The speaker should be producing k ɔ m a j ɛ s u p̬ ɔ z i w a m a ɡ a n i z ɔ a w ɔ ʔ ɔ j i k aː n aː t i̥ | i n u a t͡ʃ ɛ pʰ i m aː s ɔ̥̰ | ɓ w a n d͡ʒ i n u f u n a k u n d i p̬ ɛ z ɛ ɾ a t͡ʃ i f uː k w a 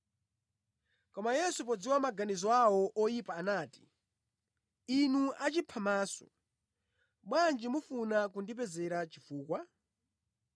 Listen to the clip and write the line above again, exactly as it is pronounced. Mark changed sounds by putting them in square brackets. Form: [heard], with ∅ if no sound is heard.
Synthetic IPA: k ɔ m a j ɛ s u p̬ ɔ [d͡z] i w a m a ɡ a n i z ɔ a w ɔ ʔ ɔ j i [p] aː n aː t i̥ | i n u a t͡ʃ [i] pʰ [a] m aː s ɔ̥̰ | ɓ w a n d͡ʒ i [m] u f u n a k u n d i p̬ ɛ z ɛ ɾ a t͡ʃ i f uː k w a